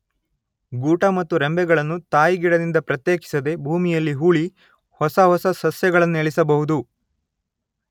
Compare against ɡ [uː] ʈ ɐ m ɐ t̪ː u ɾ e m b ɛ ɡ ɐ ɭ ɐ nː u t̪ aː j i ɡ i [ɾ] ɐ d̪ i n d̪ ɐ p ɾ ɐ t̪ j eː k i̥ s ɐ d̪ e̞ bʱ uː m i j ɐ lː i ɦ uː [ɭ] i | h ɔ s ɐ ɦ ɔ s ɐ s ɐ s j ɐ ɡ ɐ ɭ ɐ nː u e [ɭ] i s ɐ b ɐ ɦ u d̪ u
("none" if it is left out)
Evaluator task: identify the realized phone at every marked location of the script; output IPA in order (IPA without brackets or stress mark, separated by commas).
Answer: uː, ɽ, ɭ, ɭ